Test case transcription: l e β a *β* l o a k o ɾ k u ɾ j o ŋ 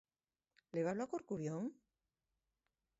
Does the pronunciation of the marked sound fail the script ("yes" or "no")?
no